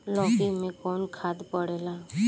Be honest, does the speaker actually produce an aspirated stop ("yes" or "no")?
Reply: yes